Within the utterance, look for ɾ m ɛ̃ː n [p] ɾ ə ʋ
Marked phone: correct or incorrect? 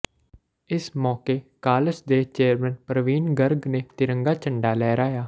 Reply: correct